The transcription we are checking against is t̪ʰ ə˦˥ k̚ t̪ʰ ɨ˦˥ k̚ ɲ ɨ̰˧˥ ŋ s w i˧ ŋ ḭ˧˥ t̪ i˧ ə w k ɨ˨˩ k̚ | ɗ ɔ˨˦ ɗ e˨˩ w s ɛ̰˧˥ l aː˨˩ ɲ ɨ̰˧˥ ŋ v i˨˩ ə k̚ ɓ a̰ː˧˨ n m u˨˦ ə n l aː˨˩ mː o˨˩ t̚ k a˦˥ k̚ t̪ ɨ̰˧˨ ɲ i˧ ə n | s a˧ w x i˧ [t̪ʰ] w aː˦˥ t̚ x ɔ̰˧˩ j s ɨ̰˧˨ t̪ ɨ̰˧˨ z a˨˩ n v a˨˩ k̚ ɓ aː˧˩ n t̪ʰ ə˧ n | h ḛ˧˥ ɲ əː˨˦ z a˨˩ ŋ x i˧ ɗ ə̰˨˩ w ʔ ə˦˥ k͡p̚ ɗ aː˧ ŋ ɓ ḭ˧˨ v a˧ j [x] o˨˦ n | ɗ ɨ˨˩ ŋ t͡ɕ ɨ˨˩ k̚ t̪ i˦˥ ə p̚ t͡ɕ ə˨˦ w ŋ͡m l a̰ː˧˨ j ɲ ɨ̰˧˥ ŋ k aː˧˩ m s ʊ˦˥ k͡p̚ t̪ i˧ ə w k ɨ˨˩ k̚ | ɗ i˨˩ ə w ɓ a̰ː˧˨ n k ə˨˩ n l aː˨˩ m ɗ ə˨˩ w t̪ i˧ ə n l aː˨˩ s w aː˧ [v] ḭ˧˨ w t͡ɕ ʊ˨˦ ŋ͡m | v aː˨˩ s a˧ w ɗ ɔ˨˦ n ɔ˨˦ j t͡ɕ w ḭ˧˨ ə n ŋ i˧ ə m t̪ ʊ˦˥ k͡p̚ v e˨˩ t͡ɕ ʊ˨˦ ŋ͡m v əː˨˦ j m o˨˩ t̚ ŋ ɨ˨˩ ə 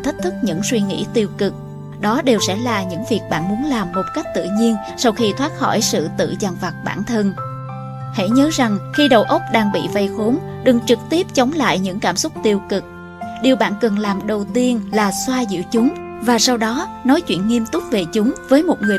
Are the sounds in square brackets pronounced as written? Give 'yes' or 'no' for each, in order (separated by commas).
yes, yes, no